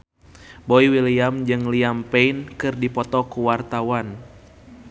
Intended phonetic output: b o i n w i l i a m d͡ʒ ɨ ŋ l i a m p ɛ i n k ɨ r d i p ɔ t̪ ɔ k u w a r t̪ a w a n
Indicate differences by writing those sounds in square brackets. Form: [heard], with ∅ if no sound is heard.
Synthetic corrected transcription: b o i [∅] w i l i a m d͡ʒ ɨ ŋ l i a m p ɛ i n k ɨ r d i p ɔ t̪ ɔ k u w a r t̪ a w a n